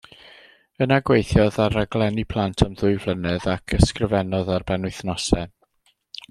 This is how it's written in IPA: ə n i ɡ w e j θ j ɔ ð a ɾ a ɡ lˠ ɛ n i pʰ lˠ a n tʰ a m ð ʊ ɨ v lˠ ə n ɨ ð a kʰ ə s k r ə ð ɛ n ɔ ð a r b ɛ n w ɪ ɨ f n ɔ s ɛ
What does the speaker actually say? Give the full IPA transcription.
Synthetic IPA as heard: ə n a ɡ w e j θ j ɔ ð a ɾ a ɡ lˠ ɛ n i pʰ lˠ a n tʰ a m ð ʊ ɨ v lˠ ə n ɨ ð a kʰ ə s k r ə v ɛ n ɔ ð a r b ɛ n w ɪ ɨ θ n ɔ s ɛ